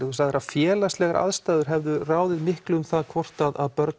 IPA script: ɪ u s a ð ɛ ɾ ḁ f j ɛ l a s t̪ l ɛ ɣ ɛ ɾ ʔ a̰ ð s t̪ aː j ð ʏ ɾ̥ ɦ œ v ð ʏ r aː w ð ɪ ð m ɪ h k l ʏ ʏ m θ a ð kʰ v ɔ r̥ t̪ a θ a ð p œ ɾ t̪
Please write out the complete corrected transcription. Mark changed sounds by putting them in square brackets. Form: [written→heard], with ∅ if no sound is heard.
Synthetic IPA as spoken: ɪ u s a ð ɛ ɾ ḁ f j [ɛ→ɛː] l a s t̪ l ɛ ɣ [ɛ→a] ɾ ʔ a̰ ð s t̪ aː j ð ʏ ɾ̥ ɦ [œ→ɛ] v ð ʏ r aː w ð ɪ ð m ɪ h k l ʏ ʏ m θ a ð kʰ v ɔ r̥ t̪ a [θ→ð] a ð p œ ɾ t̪